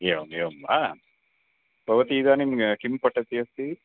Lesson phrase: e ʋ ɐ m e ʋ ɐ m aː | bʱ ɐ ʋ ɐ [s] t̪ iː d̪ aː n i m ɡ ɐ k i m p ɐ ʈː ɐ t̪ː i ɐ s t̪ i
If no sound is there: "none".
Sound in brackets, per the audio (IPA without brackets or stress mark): none